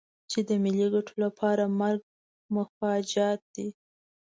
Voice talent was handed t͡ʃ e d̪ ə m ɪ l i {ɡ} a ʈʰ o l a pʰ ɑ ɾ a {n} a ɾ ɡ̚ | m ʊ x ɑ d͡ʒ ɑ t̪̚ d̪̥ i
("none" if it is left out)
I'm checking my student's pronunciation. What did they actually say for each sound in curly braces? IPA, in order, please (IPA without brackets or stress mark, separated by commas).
ɡ, m